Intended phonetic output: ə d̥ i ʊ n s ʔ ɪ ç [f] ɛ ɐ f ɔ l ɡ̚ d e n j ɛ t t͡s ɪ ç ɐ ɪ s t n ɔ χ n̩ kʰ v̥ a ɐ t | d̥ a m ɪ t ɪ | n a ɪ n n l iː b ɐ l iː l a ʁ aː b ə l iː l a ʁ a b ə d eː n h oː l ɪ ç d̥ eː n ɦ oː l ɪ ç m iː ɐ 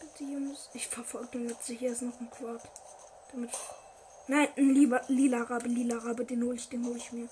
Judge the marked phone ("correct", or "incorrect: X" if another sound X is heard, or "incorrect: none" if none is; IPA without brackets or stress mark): correct